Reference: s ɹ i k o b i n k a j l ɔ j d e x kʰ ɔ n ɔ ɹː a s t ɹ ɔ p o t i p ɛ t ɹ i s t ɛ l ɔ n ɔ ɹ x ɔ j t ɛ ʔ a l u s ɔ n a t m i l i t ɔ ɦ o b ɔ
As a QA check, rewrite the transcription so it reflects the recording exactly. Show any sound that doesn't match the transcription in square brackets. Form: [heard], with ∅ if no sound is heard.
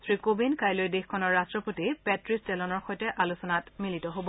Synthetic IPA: s ɹ i k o b i n k a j l [o] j d e x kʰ ɔ n ɔ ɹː a s t ɹ ɔ p o t i p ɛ t ɹ i s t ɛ l ɔ n ɔ ɹ x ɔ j t ɛ ʔ a l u s ɔ n a t m i l i t ɔ ɦ o b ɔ